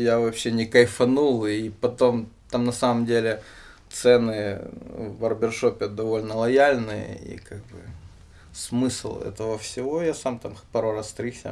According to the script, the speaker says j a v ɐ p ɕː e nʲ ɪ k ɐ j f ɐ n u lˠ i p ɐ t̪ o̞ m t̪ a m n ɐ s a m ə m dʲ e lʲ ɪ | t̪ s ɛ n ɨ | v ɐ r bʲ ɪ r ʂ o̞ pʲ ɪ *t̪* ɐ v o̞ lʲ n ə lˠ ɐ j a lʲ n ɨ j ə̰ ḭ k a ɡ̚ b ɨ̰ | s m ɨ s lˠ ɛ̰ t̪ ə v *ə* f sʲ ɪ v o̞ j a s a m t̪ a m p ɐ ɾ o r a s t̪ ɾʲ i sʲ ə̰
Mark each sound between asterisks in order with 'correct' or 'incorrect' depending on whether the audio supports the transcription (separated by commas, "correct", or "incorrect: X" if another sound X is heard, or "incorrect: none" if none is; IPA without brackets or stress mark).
incorrect: d̪, correct